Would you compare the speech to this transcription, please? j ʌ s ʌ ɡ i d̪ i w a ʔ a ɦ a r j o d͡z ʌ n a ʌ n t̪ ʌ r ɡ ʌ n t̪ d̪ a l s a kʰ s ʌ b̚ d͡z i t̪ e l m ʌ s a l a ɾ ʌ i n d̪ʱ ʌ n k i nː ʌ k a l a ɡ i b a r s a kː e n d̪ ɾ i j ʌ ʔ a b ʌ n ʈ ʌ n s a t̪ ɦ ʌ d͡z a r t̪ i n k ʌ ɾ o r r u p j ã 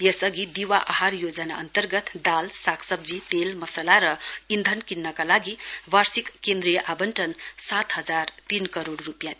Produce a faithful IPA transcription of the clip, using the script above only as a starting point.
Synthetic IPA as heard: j ʌ s ʌ ɡ i d̪ i w a ʔ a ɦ a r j o d͡z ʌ n a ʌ n t̪ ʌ r ɡ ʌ t̪ d̪ a l s a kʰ s ʌ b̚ d͡z i t̪ e l m ʌ s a l a ɾ ʌ i n d̪ʱ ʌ n k i nː ʌ k a l a ɡ i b a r s i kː e n d̪ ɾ i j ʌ ʔ a b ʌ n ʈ ʌ n s a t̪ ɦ ʌ d͡z a r t̪ i n k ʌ ɾ o ɽ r u p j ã

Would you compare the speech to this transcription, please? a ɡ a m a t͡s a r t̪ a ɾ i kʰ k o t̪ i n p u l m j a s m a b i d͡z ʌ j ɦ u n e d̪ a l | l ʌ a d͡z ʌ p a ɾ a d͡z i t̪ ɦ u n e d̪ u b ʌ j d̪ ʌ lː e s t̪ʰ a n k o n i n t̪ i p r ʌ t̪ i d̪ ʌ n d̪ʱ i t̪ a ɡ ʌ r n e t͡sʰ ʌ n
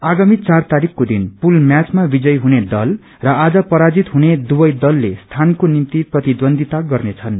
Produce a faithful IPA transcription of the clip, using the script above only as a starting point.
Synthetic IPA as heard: a ɡ a m i t͡s a r t̪ a ɾ i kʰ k o d̪ i n p u l m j a t͡s m a b i d͡z ʌ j ɦ u n e d̪ ʌ l | r ʌ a d͡z ʌ p ʌ ɾ a d͡z i t̪ ɦ u n e d̪ u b ʌ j d̪ ʌ lː e s t̪ʰ a n k o n i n t̪ i p r ʌ t̪ i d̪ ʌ n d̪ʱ i t̪ a ɡ ʌ r n e t͡sʰ ʌ n

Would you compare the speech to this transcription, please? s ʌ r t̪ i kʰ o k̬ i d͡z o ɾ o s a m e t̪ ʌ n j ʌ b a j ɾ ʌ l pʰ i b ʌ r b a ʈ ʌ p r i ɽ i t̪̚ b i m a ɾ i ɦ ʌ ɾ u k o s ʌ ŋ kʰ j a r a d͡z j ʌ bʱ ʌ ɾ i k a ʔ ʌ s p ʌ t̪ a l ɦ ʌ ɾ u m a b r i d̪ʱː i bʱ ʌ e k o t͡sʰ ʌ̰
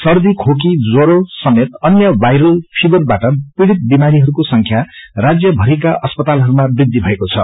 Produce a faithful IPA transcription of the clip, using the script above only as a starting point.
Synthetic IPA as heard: s ʌ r d̪ i kʰ o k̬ i d͡z o ɾ o s ʌ m e t̪ ʌ n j ʌ b a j ɾ ʌ l pʰ i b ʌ r b a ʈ ʌ p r i ɽ i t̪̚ b i m a ɾ i ɦ ʌ ɾ u k o s ʌ ŋ kʰ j a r a d͡z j ʌ bʱ ʌ ɾ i k a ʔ ʌ s p ʌ t̪ a l ɦ ʌ ɾ u m a b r i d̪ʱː i bʱ ʌ e k o t͡sʰ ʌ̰

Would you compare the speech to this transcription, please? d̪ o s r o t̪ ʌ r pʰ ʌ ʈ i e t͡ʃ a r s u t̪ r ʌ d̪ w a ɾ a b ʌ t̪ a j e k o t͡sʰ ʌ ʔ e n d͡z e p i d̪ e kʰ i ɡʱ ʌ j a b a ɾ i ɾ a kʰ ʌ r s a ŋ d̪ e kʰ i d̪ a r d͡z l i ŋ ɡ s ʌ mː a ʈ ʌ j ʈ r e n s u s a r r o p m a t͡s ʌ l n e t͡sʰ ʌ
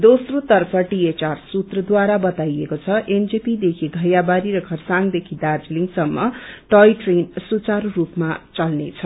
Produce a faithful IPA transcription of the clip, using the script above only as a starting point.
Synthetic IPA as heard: d̪ o s r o t̪ ʌ r pʰ ʌ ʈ i e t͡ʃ a r s u t̪ r ʌ d̪ w a ɾ a b ʌ t̪ a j e k o t͡sʰ ʌ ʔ e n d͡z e p i d̪ e kʰ i ɡʱ ʌ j a b a ɾ i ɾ ʌ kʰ ʌ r s a ŋ d̪ e kʰ i d̪ a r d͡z l i ŋ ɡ s ʌ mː ʌ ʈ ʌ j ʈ r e n s u t͡s a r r u p m a t͡s ʌ l n e t͡sʰ ʌ

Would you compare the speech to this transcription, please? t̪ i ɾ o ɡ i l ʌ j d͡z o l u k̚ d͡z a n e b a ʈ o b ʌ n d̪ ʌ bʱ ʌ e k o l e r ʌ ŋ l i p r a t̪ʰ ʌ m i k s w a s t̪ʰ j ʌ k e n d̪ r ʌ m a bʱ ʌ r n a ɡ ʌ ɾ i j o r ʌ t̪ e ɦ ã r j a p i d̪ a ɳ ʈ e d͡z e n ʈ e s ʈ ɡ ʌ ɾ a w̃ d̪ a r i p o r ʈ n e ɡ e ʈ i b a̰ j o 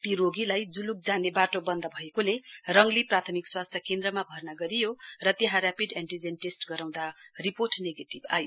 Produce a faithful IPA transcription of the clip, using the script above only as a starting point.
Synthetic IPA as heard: t̪ i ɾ o ɡ i l a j d͡z u l u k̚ d͡z a n e b a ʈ o b ʌ n d̪ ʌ bʱ ʌ e k o l e r ʌ ŋ l i p r a t̪ʰ ʌ m i k s w a s t̪ʰ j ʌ k e n d̪ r ʌ m a bʱ ʌ r n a ɡ ʌ ɾ i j o r ʌ t̪ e ɦ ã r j a p i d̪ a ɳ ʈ i d͡z e n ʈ e s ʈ ɡ ʌ ɾ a w̃ d̪ a r i p o r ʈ n e ɡ e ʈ i b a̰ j o

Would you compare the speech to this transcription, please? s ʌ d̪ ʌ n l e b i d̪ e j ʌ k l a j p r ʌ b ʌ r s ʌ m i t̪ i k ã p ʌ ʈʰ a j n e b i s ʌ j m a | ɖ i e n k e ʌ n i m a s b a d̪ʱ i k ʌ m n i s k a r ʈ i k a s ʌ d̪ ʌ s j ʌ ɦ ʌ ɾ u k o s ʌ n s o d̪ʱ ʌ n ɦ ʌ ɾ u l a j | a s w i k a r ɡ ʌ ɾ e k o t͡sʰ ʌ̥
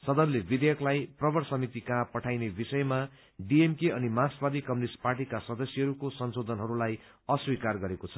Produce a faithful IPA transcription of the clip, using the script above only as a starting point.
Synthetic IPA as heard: s ʌ d̪ ʌ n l e b i d̪ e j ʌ k l a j p r ʌ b ʌ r s ʌ m i t̪ i k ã p ʌ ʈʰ a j n e b i s ʌ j m a | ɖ i e m k e ʌ n i m a s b a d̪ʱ i k ʌ m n i s p a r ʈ i k a s ʌ d̪ ʌ s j ʌ ɦ ʌ ɾ u k o s ʌ n s o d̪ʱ ʌ n ɦ ʌ ɾ u l a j | ʌ s w i k a r ɡ ʌ ɾ e k o t͡sʰ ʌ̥

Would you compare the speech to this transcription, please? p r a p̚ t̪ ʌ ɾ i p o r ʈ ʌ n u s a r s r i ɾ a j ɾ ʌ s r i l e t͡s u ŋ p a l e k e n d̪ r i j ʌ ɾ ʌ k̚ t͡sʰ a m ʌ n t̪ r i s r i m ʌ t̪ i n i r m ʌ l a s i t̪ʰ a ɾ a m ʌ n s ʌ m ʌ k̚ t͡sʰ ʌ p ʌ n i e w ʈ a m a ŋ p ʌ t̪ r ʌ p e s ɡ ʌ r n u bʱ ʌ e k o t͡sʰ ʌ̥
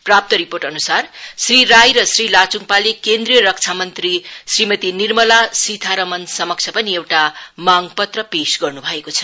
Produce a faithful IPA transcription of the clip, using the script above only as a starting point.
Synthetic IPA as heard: p r a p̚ t̪ ʌ ɾ i p o r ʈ ʌ n u s a r s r i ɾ a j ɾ ʌ s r i l a t͡s u ŋ p a l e k e n d̪ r i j ʌ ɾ ʌ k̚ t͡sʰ a m ʌ n t̪ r i s r i m ʌ t̪ i n i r m ʌ l a s i t̪ʰ a ɾ ʌ m ʌ n s ʌ m ʌ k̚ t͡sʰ ʌ p ʌ n i e w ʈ a m a ŋ p ʌ t̪ r ʌ p e s ɡ ʌ r n u bʱ ʌ e k o t͡sʰ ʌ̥

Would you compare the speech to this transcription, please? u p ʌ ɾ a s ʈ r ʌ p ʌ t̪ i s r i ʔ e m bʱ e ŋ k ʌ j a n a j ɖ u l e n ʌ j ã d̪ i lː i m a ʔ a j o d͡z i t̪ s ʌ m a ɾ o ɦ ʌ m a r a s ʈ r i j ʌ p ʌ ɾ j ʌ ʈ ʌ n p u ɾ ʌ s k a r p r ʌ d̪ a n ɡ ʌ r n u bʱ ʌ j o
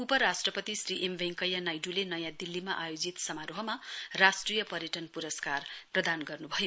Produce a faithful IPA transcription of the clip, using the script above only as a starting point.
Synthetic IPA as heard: u p ʌ ɾ a s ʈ r ʌ p ʌ t̪ i s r i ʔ e m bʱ e ŋ k ʌ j a n a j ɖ u l e n ʌ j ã d̪ i lː i m a ʔ a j o d͡z i t̪ s ʌ m a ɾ o ɦ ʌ m a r a s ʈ r i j ʌ p ʌ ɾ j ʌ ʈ ʌ n p u ɾ ʌ s k a r p r ʌ d̪ a n ɡ ʌ r n u bʱ ʌ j o

